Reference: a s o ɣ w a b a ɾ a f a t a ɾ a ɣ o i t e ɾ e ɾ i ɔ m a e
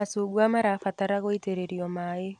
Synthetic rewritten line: a s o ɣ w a m a ɾ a f a t a ɾ a ɣ o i t e ɾ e ɾ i ɔ m a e